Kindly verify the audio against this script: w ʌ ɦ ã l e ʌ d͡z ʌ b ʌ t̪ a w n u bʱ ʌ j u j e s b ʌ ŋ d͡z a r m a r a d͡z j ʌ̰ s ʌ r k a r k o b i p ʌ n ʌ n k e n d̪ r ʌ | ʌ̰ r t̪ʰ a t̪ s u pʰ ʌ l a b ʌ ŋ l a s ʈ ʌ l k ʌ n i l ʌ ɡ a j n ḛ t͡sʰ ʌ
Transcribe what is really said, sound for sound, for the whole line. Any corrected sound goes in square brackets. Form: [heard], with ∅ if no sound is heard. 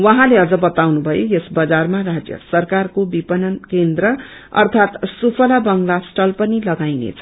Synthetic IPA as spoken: w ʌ ɦ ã l e ʌ d͡z ʌ b ʌ t̪ a w n u bʱ ʌ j [o] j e s b ʌ [∅] d͡z a r m a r a d͡z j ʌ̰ s ʌ r k a r k o b i p ʌ n ʌ n k e n d̪ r ʌ | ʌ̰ r t̪ʰ a t̪ s u pʰ ʌ l a b ʌ ŋ l a s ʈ ʌ l [p] ʌ n i l ʌ ɡ a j n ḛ t͡sʰ ʌ